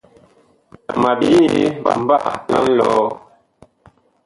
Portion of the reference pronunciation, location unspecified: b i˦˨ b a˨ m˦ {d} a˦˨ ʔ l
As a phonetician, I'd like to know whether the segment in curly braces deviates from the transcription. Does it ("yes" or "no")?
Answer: yes